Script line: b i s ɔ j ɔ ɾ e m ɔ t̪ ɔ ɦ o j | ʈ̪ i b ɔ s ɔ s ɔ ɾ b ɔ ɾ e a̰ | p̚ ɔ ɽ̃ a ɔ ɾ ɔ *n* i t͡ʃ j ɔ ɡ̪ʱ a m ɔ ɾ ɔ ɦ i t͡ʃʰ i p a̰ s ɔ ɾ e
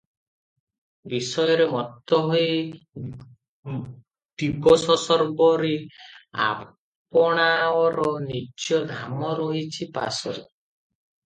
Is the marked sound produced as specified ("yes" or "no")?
yes